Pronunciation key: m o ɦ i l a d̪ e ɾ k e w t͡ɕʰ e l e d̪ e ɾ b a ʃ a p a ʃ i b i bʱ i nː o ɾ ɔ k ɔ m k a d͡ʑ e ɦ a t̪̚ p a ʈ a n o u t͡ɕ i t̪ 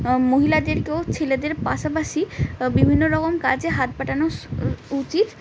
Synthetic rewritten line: m o ɦ i l a d̪ e ɾ k e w t͡ɕʰ e l e d̪ e ɾ p a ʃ a p a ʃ i b i bʱ i nː o ɾ ɔ k o m k a d͡ʑ e ɦ a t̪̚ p a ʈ a n o u t͡ɕ i t̪